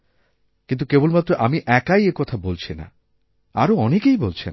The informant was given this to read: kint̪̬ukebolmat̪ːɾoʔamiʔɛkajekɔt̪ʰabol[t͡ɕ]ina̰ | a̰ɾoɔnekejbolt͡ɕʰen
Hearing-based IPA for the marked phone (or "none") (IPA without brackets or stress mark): t͡ɕʰ